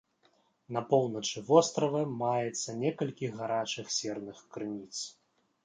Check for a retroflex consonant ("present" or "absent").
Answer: present